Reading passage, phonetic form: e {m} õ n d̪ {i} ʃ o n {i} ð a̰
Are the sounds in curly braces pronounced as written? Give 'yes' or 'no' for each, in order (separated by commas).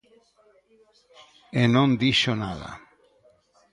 no, yes, no